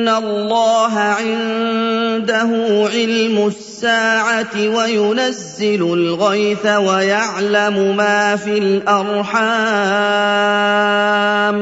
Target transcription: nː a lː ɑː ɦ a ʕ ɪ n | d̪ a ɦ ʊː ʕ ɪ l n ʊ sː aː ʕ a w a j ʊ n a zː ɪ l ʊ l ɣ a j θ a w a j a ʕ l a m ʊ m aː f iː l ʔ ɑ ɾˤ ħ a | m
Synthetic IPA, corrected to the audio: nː a lː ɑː ɦ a ʕ ɪ n | d̪ a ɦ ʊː ʕ ɪ l m ʊ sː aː ʕ a w a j ʊ n a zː ɪ l ʊ l ɣ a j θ a w a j a ʕ l a m ʊ m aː f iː l ʔ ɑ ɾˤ ħ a | m